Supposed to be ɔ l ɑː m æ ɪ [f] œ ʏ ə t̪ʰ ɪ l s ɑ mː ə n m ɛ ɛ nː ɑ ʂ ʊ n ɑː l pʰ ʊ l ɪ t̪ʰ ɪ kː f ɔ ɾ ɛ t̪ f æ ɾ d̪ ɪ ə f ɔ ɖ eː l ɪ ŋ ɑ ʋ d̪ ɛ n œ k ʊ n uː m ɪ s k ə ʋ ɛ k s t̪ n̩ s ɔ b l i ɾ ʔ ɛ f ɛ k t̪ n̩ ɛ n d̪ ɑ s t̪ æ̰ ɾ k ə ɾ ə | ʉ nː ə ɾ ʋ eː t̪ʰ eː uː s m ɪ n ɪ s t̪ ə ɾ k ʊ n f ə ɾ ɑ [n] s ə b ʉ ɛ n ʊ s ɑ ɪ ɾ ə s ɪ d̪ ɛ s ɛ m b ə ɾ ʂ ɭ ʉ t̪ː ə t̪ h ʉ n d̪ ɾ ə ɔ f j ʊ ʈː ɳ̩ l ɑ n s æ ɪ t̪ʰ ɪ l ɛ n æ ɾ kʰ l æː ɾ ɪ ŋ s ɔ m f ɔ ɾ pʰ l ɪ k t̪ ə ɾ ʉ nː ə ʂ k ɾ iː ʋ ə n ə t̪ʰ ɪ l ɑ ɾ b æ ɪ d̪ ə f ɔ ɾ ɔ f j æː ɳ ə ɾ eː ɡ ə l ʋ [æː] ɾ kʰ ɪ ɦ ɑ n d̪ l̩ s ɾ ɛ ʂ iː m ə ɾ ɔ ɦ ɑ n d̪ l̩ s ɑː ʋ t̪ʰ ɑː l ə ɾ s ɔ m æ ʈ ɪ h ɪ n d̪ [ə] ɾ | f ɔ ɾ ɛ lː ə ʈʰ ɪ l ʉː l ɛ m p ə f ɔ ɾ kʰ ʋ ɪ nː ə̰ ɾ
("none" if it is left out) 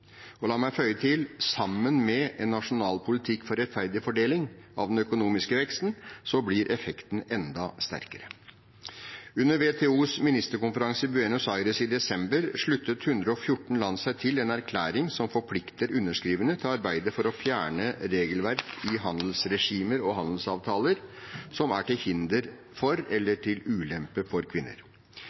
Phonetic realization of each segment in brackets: f, ŋ, æ, ə

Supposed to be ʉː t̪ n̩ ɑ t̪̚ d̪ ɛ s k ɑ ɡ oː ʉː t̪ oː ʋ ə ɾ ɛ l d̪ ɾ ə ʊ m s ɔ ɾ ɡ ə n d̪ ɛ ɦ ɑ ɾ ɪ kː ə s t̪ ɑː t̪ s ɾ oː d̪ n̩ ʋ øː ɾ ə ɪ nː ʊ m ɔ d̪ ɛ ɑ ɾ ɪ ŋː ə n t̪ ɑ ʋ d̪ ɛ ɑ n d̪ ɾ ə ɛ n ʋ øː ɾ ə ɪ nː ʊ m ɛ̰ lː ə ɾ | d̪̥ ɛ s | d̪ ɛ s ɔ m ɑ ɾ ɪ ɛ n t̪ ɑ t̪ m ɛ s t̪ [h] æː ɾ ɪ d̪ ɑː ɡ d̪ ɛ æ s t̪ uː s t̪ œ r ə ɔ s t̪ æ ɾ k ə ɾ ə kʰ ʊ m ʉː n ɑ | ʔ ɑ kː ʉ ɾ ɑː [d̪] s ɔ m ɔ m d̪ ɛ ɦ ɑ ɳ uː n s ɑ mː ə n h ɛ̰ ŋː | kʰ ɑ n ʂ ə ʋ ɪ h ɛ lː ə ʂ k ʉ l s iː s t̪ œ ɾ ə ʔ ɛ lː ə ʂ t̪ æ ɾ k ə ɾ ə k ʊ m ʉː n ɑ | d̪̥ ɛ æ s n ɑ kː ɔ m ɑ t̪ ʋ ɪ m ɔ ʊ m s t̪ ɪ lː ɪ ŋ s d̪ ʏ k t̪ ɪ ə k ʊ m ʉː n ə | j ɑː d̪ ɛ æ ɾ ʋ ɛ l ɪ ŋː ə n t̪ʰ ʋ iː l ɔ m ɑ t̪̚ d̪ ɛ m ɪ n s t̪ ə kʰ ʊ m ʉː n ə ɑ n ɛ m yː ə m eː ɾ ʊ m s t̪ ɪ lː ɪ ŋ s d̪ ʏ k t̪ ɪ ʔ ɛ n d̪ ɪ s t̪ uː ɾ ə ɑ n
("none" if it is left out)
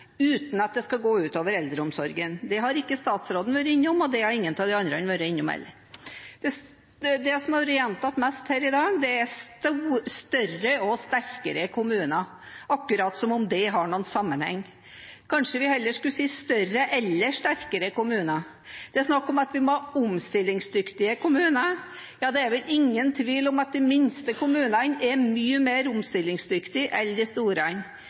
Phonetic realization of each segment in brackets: h, t̪

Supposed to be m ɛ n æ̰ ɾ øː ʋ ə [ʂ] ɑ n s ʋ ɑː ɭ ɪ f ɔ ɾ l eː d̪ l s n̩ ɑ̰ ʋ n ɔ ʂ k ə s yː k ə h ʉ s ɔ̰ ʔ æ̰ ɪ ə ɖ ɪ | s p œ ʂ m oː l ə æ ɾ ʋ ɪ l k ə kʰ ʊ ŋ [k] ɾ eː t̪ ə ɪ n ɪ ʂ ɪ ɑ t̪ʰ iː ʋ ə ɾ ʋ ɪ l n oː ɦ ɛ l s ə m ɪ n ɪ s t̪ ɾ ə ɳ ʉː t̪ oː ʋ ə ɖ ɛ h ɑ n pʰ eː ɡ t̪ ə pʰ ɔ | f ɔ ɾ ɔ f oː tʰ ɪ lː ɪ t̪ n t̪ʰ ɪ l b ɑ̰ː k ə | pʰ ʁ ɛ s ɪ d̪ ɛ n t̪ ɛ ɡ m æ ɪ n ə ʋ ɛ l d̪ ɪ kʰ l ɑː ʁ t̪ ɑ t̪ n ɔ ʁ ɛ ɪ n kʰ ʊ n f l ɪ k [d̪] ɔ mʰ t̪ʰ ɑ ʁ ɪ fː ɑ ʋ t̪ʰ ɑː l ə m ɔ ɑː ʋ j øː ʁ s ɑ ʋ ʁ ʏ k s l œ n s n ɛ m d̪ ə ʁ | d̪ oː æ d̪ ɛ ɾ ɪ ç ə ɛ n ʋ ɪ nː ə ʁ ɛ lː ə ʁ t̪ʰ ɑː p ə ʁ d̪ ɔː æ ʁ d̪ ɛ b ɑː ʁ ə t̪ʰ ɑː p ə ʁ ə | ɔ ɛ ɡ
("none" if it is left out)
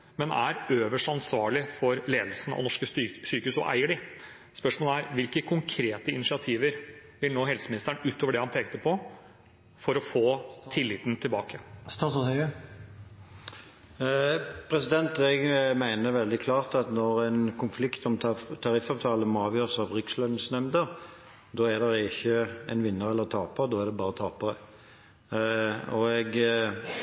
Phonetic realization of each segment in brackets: ʂ, kʰ, t̪

